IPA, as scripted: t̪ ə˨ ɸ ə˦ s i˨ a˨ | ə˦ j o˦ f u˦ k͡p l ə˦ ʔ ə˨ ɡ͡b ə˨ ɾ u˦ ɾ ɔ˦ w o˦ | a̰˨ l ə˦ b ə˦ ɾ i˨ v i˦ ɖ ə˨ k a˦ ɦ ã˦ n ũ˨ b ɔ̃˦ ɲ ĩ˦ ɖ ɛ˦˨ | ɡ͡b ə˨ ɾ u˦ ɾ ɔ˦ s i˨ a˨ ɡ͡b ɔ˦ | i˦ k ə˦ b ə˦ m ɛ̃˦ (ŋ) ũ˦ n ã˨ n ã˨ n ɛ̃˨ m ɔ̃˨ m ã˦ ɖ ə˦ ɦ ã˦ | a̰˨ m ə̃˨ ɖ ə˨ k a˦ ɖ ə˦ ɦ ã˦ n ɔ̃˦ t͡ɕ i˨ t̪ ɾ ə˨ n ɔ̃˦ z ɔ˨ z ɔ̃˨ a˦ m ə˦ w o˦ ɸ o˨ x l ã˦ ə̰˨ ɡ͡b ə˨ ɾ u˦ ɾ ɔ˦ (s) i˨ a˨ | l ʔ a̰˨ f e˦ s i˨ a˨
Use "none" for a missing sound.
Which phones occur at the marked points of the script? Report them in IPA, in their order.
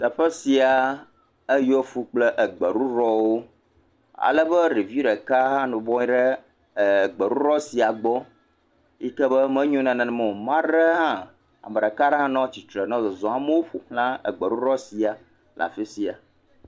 ɲ, s

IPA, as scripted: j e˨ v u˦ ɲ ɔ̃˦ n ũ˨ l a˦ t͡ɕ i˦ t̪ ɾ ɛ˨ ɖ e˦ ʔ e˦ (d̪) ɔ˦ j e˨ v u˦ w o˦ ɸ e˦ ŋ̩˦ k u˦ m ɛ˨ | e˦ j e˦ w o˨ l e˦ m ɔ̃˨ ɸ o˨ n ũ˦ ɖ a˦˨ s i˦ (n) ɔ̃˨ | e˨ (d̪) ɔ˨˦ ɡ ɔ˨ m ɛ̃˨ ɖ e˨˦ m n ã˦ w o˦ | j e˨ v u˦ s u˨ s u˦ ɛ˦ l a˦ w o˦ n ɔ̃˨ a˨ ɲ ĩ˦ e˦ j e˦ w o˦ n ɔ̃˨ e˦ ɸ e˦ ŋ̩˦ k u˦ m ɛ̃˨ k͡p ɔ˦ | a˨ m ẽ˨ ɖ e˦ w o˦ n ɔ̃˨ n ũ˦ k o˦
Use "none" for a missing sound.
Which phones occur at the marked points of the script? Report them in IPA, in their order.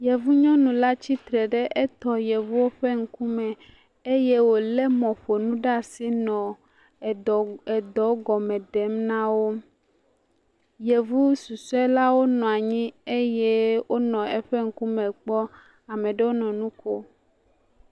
t̪, n, d̪

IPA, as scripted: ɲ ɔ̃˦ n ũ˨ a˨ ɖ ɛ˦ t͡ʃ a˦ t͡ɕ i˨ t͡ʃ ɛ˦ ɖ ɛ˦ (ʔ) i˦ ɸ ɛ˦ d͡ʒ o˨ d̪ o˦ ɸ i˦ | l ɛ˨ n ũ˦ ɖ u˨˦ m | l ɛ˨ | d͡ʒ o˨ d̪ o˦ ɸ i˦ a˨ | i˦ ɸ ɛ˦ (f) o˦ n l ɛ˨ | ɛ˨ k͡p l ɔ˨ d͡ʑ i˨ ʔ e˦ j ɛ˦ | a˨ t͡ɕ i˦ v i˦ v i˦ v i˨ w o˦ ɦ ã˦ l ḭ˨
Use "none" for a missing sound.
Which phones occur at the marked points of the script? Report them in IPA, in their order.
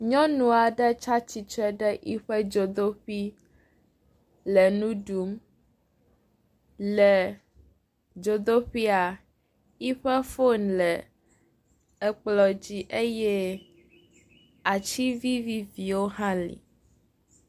ʔ, f

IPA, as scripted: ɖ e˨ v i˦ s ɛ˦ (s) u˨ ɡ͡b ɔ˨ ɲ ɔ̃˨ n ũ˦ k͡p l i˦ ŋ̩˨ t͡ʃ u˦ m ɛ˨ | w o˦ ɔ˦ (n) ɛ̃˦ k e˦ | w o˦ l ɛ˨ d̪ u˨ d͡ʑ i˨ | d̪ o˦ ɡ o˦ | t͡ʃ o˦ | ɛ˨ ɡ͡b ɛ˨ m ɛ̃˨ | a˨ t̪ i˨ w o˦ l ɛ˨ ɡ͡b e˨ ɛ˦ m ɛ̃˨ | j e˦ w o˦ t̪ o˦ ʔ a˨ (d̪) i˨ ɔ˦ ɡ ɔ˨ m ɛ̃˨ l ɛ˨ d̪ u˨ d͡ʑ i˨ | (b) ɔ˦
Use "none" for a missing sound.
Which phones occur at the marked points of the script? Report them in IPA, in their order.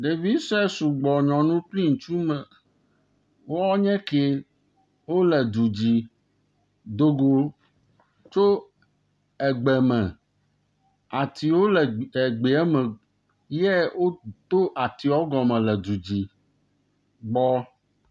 s, ɲ, t̪, ɡ͡b

